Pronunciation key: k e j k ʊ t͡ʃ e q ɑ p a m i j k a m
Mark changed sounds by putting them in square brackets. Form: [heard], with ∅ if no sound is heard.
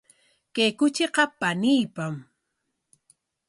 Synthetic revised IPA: k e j k ʊ t͡ʃ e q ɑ p a [n] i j [p] a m

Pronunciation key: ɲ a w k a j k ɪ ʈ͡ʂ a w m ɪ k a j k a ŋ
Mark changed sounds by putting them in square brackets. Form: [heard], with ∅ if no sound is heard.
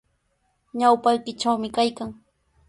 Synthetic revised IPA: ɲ a w [p] a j k ɪ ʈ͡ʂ a w m ɪ k a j k a ŋ

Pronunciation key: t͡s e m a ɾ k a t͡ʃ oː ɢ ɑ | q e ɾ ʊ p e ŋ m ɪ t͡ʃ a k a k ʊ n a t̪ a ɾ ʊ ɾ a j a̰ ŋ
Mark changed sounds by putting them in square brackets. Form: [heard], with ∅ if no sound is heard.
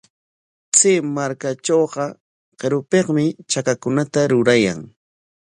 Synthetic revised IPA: t͡s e m a ɾ k a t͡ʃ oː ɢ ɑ | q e ɾ ʊ p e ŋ m ɪ t͡ʃ a k a k ʊ n a t̪ a ɾ ʊ ɾ a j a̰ ŋ

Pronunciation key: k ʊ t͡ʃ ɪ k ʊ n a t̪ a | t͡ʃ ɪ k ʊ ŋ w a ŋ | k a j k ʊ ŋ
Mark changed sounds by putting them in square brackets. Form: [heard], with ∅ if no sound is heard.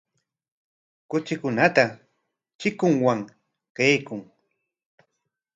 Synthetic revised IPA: k ʊ t͡ʃ ɪ k ʊ n a t̪ a | t͡ʃ ɪ k ʊ ŋ w a ŋ | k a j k ʊ ŋ

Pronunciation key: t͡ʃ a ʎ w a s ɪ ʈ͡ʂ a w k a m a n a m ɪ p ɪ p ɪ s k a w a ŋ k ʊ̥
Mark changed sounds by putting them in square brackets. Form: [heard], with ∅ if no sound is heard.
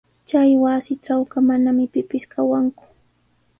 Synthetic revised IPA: t͡ʃ a [j] w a s ɪ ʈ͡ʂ a w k a m a n a m ɪ p ɪ p ɪ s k a w a ŋ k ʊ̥

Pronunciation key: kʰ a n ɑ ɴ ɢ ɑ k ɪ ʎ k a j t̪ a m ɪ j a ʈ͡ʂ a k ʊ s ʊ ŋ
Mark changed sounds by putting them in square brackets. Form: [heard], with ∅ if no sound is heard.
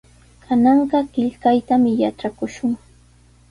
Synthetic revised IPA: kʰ a n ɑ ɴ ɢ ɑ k ɪ ʎ k a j t̪ a m ɪ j a ʈ͡ʂ a k ʊ [ʃ] ʊ ŋ

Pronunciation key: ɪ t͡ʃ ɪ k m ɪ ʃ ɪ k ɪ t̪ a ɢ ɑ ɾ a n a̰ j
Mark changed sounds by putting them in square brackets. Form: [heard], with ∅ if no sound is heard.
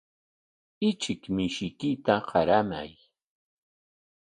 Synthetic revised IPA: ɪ t͡ʃ ɪ k m ɪ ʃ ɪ k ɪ t̪ a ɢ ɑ ɾ a [m] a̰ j

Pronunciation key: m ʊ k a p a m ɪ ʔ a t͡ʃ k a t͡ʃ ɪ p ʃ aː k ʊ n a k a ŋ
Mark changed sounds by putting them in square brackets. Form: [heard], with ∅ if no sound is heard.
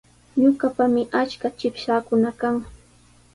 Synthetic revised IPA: [ɲ] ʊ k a p a m ɪ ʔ a t͡ʃ k a t͡ʃ ɪ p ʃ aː k ʊ n a k a ŋ

